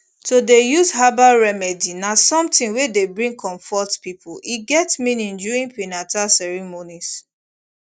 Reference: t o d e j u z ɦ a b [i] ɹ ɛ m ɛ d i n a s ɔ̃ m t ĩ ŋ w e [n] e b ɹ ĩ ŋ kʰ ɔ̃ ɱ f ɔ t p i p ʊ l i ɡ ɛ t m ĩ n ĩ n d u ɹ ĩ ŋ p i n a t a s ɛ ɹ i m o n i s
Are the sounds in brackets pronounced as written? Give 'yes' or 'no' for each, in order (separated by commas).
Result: no, no